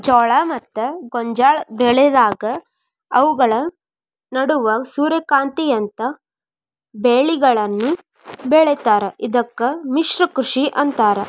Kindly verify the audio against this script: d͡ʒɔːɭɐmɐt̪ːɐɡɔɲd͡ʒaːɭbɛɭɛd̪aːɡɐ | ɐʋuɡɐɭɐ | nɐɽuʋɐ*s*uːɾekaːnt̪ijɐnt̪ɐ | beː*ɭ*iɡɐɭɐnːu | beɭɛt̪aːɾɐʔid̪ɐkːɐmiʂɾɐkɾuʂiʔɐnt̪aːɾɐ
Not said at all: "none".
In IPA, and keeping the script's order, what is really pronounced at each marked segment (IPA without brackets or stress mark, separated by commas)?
s, ɭ